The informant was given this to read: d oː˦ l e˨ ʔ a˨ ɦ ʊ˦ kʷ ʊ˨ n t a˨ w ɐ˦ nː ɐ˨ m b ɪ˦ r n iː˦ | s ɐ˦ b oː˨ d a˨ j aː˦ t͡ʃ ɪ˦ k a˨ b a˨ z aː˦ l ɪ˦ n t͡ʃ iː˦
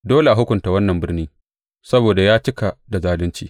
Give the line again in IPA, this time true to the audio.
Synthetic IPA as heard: d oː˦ l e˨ ʔ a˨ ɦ ʊ˦ kʷ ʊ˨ n t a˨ w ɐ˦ nː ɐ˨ m b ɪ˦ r n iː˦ | s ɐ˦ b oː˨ d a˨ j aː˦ t͡ʃ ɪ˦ k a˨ d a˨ z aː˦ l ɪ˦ n t͡ʃ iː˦